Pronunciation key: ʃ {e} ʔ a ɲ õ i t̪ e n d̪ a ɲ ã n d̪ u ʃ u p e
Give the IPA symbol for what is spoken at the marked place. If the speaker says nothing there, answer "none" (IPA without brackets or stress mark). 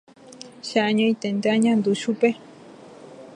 a